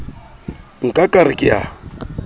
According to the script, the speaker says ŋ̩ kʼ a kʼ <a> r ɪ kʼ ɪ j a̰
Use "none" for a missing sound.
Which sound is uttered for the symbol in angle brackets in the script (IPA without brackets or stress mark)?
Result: a